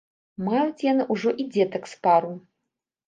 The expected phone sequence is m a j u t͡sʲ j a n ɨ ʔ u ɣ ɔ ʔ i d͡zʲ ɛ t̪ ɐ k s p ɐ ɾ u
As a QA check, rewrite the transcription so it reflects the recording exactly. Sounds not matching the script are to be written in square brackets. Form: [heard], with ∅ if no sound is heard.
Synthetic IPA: m a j u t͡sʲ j a n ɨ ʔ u [ʐ] ɔ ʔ i d͡zʲ ɛ t̪ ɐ k s p [a] ɾ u